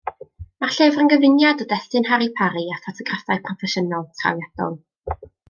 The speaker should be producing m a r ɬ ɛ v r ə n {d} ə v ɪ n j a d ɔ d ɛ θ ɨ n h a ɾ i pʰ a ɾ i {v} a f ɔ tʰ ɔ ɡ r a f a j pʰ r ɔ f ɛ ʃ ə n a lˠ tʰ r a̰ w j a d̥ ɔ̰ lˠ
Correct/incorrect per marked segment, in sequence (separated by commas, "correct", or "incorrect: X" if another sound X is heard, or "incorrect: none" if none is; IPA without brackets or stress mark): incorrect: ɡ, incorrect: none